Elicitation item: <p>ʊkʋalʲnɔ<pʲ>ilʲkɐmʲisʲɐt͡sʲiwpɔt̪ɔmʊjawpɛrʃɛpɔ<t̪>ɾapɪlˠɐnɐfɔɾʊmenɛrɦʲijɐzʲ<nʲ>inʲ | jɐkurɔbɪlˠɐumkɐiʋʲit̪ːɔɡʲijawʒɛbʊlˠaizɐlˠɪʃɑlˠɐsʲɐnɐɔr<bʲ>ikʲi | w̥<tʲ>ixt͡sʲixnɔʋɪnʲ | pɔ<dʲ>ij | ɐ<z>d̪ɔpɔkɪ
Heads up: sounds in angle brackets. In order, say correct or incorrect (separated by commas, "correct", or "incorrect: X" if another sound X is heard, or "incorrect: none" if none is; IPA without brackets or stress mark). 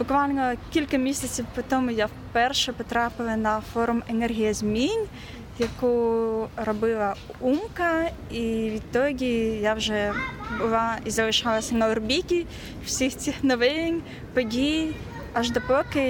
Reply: incorrect: b, incorrect: kʲ, correct, incorrect: mʲ, correct, incorrect: sʲ, correct, incorrect: ʒ